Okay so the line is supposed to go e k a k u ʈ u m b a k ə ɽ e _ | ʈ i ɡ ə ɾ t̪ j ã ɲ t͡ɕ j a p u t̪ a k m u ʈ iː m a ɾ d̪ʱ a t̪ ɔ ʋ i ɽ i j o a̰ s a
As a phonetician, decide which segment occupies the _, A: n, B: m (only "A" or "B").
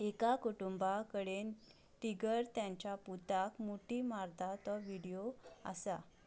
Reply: A